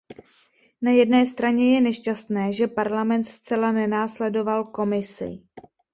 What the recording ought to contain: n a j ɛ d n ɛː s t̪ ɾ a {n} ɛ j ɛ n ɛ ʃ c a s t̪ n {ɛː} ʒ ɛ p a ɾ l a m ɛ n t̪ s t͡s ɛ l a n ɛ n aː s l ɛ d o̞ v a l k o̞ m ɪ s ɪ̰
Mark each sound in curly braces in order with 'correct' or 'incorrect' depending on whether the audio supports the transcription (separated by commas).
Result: incorrect, correct